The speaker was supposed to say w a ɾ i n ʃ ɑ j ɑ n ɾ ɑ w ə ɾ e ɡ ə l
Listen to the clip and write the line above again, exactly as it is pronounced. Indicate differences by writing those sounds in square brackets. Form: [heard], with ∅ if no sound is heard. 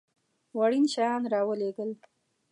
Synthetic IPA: w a [ɽ] i n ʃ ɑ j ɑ n ɾ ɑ w ə [l] e ɡ ə l